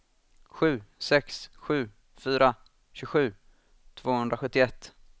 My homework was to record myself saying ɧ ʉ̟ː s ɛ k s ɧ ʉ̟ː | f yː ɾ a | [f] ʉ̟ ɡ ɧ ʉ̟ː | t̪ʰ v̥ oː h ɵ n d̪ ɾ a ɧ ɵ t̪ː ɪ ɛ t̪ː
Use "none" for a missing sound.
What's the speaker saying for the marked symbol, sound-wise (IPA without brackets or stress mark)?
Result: ɕ